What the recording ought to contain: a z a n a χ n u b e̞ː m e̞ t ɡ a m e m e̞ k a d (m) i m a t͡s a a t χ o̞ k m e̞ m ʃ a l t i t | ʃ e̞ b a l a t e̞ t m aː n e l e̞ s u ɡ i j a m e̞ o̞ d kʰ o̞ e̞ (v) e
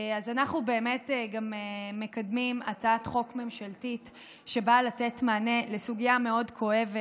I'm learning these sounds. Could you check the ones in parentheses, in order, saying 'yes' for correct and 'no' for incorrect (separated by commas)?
yes, yes